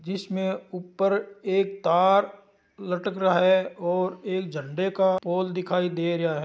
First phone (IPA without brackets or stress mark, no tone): d͡ʒ